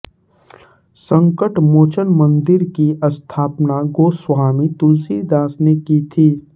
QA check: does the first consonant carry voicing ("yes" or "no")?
no